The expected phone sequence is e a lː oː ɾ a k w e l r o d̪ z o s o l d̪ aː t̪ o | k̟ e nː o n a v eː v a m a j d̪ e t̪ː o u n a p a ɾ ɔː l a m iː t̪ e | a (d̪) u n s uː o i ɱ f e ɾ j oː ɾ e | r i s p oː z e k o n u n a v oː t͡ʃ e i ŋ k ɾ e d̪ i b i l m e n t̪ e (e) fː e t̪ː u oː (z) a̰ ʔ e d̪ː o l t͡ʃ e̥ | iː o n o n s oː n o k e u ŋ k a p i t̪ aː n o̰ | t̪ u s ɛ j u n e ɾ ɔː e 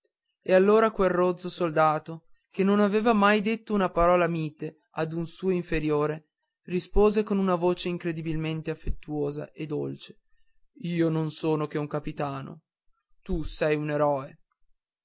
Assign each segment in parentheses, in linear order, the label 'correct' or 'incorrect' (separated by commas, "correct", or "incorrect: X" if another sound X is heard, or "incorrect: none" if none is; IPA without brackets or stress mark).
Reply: correct, incorrect: a, correct